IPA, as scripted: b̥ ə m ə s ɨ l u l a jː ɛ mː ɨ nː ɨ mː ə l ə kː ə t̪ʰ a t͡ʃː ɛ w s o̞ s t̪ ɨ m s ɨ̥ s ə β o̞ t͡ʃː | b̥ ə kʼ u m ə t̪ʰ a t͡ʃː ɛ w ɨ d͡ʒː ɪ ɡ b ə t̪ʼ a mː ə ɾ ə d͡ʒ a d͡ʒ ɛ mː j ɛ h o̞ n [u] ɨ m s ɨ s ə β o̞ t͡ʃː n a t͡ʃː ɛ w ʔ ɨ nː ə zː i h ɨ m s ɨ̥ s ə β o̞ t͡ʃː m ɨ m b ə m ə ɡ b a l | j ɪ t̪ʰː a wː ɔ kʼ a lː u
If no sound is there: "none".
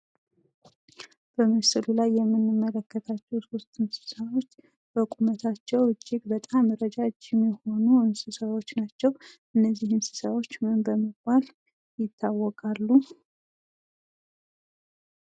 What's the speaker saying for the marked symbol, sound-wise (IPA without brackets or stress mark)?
u